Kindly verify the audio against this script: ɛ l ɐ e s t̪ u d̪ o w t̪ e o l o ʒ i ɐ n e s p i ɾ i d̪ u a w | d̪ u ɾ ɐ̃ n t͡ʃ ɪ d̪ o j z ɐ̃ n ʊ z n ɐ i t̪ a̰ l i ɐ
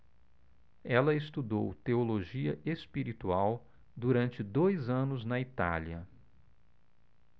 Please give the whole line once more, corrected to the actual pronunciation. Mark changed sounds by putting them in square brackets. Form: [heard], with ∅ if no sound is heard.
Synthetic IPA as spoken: ɛ l ɐ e s t̪ u d̪ o w t̪ e o l o ʒ i ɐ [∅] e s p i ɾ i [t̪] u a w | d̪ u ɾ ɐ̃ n t͡ʃ ɪ d̪ o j z ɐ̃ n ʊ z n ɐ i t̪ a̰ l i ɐ